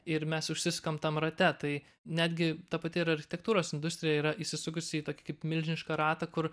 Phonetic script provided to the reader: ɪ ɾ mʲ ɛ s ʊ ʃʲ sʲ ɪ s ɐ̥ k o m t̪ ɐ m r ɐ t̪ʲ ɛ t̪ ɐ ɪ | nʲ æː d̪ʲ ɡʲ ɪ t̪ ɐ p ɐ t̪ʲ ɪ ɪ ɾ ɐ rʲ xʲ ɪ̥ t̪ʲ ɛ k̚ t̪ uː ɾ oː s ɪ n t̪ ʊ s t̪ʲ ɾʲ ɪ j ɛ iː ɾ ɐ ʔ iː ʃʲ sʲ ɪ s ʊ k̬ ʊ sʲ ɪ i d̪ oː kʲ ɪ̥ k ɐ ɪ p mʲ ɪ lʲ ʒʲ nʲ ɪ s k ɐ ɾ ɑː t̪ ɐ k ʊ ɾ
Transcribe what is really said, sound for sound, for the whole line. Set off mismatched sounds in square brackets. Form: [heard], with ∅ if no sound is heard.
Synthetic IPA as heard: ɪ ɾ mʲ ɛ s ʊ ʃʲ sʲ ɪ s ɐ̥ k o m t̪ ɐ m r ɐ t̪ʲ ɛ t̪ ɐ ɪ | nʲ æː d̪ʲ ɡʲ ɪ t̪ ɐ p ɐ t̪ʲ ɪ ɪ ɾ ɐ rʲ xʲ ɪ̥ t̪ʲ ɛ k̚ t̪ uː ɾ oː s ɪ n [d̪] ʊ s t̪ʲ ɾʲ ɪ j ɛ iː ɾ ɐ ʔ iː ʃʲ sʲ ɪ s ʊ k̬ ʊ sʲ ɪ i [t̪] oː kʲ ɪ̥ k ɐ ɪ p mʲ ɪ lʲ ʒʲ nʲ ɪ [ʃ] k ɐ ɾ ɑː t̪ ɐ k ʊ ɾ